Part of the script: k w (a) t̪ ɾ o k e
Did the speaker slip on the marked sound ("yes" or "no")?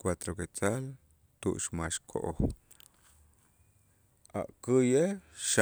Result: no